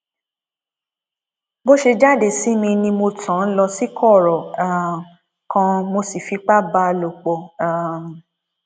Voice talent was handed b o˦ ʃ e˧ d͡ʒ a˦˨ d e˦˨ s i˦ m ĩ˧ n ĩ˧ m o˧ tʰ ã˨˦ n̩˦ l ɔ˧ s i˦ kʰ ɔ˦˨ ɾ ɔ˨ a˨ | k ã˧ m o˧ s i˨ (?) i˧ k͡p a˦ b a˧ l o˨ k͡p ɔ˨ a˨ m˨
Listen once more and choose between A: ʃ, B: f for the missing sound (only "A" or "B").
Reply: B